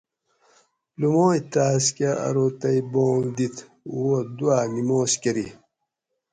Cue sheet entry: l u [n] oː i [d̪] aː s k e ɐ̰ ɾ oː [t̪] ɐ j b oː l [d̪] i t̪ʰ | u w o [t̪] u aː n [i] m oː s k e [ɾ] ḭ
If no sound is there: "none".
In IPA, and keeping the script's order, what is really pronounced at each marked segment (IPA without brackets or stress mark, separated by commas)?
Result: m, t̪, t̪, d̪, d̪, i, ɾ